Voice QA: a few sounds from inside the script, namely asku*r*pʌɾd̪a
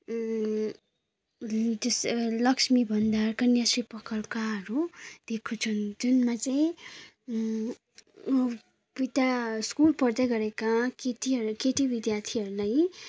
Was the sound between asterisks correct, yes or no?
no